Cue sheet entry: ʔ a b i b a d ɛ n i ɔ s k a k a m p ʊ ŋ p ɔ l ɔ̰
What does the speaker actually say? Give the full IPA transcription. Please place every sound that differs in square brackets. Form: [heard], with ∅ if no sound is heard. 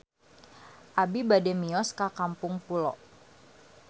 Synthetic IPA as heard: ʔ a b i b a d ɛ [m] i ɔ s k a k a m p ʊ ŋ p [u] l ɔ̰